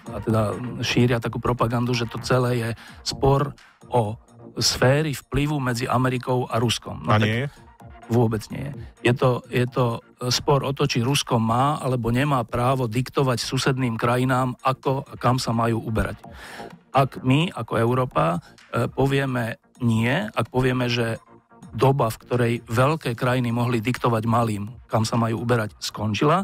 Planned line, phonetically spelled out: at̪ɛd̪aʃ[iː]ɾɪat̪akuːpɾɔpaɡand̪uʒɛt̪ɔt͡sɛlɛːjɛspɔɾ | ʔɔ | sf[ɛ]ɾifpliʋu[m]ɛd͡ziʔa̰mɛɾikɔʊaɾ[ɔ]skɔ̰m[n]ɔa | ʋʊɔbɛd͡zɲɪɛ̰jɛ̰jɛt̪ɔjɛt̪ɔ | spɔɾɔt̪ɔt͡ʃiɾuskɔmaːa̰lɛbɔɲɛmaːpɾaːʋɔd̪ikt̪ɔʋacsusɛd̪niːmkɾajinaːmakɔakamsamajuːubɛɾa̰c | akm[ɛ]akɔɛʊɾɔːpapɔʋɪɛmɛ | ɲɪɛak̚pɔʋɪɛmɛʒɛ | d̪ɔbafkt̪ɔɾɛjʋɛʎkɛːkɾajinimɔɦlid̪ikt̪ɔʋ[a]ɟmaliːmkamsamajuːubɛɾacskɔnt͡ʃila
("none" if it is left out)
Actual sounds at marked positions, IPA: iː, ɛː, m, u, n, i, a

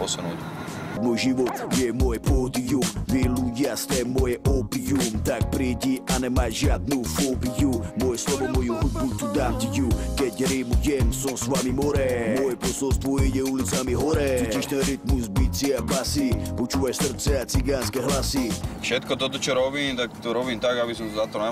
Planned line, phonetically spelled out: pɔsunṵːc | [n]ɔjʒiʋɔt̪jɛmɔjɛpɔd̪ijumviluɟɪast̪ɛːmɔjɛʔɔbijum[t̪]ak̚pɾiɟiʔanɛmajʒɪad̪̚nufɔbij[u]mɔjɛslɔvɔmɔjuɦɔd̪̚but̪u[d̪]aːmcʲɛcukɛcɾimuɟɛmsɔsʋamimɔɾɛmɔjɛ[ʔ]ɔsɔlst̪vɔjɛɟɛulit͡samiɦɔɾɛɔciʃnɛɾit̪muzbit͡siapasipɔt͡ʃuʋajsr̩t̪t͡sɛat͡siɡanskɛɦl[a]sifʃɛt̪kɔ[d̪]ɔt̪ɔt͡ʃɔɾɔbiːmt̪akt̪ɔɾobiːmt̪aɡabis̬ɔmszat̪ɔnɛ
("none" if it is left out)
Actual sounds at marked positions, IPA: m, t̪, u, d̪, p, a, t̪

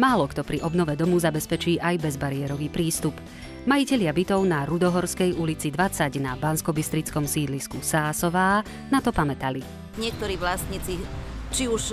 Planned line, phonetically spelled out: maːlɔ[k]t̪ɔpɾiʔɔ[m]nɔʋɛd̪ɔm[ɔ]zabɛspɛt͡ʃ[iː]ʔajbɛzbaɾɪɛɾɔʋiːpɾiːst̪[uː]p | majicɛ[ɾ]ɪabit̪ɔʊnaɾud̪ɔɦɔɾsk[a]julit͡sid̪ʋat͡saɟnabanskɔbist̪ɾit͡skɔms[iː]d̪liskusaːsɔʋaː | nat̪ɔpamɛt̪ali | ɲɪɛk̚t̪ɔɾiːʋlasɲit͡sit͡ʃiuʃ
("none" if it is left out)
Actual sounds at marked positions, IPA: k, b, u, iː, u, ʎ, ɛ, iː

